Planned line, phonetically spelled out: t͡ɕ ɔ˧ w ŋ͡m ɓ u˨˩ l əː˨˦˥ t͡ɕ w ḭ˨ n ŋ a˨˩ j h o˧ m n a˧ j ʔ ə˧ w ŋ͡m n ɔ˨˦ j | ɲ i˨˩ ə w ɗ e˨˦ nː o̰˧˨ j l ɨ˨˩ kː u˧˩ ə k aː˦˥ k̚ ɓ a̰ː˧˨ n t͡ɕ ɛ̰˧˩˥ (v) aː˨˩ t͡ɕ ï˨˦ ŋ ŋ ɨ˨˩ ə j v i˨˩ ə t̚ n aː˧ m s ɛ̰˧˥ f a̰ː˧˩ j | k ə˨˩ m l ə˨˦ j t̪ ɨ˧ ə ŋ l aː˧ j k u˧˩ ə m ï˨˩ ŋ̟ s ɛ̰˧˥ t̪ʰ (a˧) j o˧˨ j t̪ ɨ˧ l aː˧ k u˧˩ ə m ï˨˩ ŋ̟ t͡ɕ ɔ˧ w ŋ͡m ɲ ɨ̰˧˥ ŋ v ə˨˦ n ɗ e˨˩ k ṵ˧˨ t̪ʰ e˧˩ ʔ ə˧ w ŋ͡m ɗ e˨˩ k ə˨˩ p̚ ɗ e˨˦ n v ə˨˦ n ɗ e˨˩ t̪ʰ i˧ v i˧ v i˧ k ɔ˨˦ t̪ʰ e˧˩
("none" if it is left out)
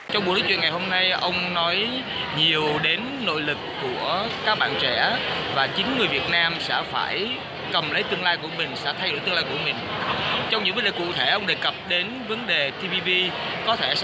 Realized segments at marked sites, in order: v, a˧

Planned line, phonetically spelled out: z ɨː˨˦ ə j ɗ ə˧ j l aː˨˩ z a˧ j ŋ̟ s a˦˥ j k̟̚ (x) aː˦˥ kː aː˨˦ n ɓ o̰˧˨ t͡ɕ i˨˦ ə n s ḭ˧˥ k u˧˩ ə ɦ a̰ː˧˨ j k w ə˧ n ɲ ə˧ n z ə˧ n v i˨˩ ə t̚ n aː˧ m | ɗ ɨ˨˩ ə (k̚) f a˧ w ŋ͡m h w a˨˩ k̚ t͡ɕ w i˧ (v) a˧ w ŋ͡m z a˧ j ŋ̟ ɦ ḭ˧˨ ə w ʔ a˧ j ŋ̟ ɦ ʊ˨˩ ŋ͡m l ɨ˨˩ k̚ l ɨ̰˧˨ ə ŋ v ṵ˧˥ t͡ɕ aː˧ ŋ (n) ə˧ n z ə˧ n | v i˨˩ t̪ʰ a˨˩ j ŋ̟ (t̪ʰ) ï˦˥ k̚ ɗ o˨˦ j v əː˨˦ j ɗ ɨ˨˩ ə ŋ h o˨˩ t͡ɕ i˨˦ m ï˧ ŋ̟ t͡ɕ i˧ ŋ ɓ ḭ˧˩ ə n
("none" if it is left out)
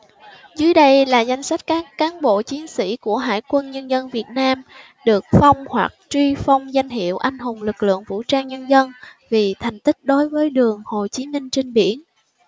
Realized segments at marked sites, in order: k, k̚, f, ɲ, t̪

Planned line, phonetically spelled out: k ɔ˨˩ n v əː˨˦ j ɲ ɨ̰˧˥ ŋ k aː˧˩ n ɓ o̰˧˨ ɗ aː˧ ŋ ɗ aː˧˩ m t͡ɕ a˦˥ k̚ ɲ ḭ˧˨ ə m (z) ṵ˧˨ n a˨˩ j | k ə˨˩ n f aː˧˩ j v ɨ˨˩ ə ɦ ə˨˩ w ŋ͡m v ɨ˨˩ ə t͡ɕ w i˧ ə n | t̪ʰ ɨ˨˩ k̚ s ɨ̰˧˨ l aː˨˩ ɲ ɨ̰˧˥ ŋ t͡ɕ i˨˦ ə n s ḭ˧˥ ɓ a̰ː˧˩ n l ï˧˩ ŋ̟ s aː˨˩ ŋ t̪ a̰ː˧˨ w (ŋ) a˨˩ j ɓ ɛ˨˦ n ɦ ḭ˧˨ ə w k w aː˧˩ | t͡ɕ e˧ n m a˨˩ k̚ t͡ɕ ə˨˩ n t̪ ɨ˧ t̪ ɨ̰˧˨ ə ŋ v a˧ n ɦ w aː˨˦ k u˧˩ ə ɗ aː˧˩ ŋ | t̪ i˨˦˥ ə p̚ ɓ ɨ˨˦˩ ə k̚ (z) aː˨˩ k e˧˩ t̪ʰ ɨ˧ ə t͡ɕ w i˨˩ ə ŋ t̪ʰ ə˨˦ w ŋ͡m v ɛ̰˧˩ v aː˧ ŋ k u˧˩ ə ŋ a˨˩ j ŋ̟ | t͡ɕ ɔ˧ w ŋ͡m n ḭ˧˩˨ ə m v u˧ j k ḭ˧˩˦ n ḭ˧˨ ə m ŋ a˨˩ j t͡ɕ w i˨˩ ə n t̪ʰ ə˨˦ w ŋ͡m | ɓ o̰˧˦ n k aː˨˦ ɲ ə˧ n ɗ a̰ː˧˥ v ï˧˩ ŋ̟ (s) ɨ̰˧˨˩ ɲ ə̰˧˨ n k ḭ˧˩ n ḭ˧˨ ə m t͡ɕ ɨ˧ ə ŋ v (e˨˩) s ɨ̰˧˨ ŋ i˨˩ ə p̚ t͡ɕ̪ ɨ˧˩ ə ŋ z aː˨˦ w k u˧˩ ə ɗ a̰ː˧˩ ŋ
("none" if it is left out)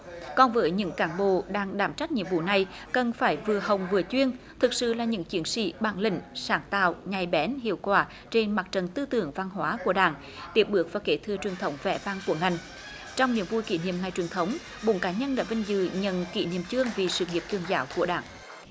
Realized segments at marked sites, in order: v, ɲ, v, z, i˨˩

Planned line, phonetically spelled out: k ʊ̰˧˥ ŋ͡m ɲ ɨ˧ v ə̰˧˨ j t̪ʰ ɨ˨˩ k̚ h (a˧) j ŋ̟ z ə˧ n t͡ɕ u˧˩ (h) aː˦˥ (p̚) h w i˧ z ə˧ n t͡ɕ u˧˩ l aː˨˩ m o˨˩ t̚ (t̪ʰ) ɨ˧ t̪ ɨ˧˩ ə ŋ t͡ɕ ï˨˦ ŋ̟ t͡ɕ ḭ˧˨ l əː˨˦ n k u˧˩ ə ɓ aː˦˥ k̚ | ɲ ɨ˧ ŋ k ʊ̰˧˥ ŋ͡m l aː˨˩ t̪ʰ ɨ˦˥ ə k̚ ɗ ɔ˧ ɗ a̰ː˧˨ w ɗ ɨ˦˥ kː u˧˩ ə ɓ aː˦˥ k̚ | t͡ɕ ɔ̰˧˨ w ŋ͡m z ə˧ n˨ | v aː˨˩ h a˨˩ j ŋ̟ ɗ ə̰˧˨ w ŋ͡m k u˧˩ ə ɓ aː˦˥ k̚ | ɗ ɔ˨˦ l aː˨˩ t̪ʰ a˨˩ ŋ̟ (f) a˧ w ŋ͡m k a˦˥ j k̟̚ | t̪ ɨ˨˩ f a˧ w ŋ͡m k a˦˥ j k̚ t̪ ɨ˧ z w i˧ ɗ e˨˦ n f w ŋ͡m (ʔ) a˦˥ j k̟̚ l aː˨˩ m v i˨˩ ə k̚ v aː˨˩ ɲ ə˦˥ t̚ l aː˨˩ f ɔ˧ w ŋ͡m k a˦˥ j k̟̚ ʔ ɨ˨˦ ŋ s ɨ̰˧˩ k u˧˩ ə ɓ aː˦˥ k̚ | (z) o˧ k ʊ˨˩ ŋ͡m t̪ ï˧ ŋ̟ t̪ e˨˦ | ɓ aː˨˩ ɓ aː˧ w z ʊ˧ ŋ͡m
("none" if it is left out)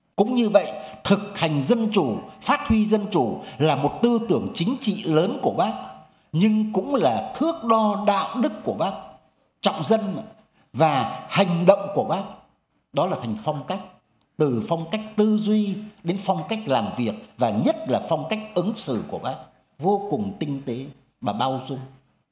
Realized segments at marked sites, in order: a˨˩, f, t̚, t̪, f, k, v

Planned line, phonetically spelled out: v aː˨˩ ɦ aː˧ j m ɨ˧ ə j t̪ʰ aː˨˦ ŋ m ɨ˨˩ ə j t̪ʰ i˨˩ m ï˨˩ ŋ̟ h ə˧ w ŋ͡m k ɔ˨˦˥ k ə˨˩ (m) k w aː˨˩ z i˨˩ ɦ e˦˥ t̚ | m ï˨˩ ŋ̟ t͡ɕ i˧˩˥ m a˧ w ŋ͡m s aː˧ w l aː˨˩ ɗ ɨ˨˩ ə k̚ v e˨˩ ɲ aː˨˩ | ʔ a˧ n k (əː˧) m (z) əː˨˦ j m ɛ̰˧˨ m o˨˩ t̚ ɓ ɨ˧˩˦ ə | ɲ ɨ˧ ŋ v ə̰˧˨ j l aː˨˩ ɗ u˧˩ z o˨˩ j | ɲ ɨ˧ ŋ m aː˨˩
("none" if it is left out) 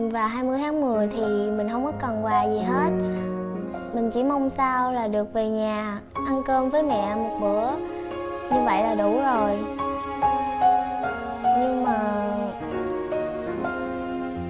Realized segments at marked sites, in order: n, əː˧, v

